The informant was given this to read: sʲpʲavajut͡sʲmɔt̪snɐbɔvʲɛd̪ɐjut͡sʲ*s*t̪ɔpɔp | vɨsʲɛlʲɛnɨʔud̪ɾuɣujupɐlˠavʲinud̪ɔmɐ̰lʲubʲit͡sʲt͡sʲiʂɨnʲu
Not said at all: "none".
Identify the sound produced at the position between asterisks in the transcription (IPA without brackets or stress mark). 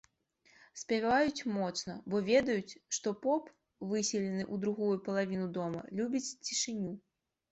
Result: ʂ